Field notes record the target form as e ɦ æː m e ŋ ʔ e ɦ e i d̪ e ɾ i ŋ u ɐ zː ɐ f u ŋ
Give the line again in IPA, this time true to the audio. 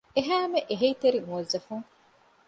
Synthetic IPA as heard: e ɦ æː m e ʔ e ɦ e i t̪ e ɾ i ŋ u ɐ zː ɐ f u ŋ